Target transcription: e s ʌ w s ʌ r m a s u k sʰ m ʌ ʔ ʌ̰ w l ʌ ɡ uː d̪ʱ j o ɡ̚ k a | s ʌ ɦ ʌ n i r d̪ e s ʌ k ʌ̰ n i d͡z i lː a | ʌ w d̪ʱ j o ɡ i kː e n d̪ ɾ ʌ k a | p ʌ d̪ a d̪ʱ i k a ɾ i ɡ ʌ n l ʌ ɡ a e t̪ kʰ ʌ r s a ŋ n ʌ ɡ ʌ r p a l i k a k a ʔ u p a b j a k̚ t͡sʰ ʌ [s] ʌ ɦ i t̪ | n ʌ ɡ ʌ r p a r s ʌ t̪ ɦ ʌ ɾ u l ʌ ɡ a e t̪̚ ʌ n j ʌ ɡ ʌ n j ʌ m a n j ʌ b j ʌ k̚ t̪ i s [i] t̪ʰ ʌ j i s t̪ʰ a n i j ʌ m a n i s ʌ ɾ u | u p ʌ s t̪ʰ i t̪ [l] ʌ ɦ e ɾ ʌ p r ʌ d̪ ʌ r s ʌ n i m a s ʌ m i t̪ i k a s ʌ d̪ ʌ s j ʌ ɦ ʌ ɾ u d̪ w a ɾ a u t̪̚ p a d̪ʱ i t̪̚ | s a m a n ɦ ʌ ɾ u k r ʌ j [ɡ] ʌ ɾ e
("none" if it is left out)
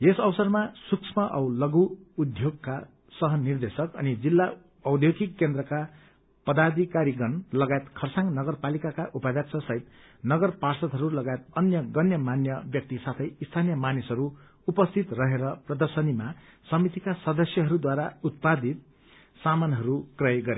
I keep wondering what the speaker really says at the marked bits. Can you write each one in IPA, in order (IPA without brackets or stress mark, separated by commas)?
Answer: s, a, r, ɡ